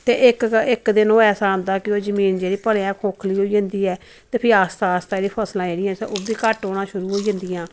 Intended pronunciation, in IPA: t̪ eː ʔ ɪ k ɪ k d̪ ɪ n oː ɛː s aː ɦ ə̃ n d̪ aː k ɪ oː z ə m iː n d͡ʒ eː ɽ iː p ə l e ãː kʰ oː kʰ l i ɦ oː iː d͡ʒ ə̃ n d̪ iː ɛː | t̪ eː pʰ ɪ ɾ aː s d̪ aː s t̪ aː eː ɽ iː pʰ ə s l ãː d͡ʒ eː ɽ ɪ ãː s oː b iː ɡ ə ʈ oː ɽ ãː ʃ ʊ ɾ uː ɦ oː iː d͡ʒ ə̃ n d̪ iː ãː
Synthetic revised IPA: t̪ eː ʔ ɪ k ɪ k d̪ ɪ n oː ɛː s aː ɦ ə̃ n d̪ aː k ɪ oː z ə m iː n d͡ʒ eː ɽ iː p ə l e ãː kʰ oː kʰ l iː ɦ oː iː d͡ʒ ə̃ n d̪ iː ɛː | t̪ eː pʰ ɪ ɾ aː s t̪ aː s t̪ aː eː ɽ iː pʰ ə s l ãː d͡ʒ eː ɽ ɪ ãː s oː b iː k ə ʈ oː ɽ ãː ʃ ʊ ɾ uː ɦ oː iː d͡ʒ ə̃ n d̪ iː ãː

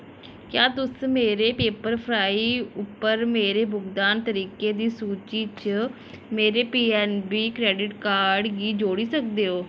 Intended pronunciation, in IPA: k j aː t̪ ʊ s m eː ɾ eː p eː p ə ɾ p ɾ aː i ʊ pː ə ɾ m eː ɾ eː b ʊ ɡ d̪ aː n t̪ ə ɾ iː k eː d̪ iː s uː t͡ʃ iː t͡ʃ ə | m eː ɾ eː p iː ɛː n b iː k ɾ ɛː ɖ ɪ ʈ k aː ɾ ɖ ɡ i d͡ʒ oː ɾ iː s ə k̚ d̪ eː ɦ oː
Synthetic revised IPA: k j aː t̪ ʊ s m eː ɾ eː p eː p ə ɾ pʰ ɾ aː i ʊ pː ə ɾ m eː ɾ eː b ʊ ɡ d̪ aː n t̪ ə ɾ iː k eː d̪ iː s uː t͡ʃ iː t͡ʃ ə | m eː ɾ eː p iː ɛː n b iː k ɾ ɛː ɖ ɪ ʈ k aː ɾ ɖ ɡ iː d͡ʒ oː ɽ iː s ə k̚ d̪ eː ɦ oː

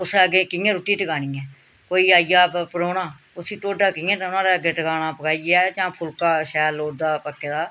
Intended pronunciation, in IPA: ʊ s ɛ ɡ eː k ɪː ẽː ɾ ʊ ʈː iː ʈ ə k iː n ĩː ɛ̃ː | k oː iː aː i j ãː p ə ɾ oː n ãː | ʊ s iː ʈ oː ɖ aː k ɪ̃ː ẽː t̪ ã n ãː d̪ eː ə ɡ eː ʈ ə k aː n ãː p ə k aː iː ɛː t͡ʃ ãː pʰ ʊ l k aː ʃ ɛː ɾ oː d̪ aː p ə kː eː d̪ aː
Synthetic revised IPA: ʊ s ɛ ɡ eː k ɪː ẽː ɾ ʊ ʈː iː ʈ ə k aː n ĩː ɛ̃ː | k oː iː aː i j aː p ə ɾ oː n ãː | ʊ s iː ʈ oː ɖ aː k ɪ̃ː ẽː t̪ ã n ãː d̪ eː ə ɡ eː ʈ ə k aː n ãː p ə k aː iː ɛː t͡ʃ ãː pʰ ʊ l k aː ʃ ɛː l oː d̪ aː p ə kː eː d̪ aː

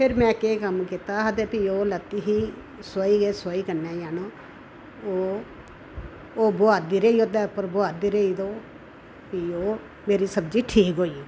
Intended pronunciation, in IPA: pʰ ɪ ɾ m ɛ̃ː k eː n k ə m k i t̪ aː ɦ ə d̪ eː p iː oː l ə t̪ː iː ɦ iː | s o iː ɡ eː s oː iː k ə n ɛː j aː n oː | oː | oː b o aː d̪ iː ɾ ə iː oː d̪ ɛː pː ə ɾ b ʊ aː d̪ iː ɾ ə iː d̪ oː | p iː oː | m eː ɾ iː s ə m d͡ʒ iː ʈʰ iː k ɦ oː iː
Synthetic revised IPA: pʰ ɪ ɾ m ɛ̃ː k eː k ə m k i t̪ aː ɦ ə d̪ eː p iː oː l ə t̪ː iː ɦ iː | s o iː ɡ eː s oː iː k ə n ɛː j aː n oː | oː | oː b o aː d̪ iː ɾ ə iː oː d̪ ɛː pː ə ɾ b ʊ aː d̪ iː ɾ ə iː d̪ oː | p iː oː | m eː ɾ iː s ə b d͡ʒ iː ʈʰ iː k ɦ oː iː

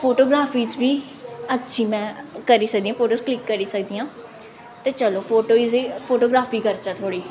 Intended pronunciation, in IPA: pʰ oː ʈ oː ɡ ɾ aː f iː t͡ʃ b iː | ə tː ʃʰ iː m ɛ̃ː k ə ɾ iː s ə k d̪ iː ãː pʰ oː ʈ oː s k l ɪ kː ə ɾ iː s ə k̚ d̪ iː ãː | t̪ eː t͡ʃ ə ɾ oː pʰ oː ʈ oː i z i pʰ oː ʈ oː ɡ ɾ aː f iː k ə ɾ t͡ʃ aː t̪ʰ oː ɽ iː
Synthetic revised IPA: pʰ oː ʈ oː ɡ ɾ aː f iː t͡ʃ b iː | ə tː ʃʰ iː m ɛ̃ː k ə ɾ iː s ə k d̪ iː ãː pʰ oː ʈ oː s k l ɪ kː ə ɾ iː s ə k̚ d̪ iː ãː | t̪ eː t͡ʃ ə l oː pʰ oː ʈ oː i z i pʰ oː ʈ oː ɡ ɾ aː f iː k ə ɾ t͡ʃ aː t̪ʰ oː ɽ iː

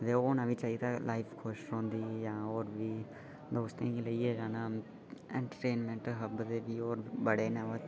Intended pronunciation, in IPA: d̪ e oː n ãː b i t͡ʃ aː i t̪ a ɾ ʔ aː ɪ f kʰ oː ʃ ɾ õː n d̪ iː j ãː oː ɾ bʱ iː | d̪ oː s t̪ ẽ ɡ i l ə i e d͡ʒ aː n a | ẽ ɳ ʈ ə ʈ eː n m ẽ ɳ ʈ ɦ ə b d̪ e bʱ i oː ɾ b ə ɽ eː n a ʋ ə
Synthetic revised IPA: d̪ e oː n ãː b i t͡ʃ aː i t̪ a l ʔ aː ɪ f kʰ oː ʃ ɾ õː n d̪ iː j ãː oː ɾ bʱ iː | d̪ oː s t̪ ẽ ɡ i l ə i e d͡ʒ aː n a | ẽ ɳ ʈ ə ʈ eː n m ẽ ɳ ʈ ɦ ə b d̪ e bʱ i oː ɾ b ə ɽ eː n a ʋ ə

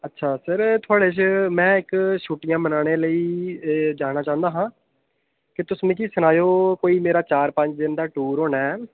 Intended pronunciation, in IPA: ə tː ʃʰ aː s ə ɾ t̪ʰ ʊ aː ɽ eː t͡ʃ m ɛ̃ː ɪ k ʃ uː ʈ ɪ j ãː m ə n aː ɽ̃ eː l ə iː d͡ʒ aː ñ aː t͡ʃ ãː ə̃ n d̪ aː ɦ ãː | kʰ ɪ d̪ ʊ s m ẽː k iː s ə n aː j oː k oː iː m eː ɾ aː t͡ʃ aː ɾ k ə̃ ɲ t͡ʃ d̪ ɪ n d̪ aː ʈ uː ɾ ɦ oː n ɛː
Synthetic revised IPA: ə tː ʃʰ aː s ə ɾ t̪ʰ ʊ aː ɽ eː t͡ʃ m ɛ̃ː ɪ k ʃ uː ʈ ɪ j ãː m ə n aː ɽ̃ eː l ə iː d͡ʒ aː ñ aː t͡ʃ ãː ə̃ n d̪ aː ɦ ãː | k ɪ t̪ ʊ s m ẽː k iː s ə n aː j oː k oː iː m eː ɾ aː t͡ʃ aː ɾ p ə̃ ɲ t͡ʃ d̪ ɪ n d̪ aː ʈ uː ɾ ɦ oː n ɛː

